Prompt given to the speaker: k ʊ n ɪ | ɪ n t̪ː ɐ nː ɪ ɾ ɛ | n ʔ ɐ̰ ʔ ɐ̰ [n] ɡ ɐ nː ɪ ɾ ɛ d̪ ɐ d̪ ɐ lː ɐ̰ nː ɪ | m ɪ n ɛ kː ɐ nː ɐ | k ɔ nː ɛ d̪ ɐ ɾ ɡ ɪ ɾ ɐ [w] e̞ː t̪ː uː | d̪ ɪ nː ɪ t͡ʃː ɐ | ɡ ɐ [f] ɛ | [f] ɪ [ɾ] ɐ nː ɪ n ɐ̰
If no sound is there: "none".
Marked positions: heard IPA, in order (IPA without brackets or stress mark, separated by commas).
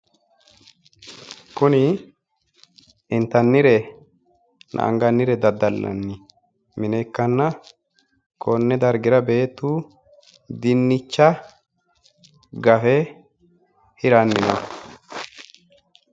ŋ, b, f, h, ɾ